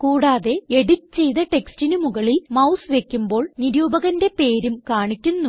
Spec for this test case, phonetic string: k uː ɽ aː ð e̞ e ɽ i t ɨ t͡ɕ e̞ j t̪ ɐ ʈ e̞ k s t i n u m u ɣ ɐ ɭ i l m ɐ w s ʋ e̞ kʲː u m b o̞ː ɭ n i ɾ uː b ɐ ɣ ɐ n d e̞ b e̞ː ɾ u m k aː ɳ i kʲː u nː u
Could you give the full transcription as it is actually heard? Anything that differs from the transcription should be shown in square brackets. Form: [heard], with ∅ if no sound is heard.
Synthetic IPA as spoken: k uː ɽ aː ð e̞ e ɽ i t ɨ t͡ɕ e̞ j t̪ ɐ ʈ e̞ k s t i n u m u ɣ ɐ ɭ i l m ɐ w s ʋ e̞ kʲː u m b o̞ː ɭ n i ɾ uː b ɐ ɣ ɐ n d e̞ [p] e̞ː ɾ u m k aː ɳ i kʲː u nː u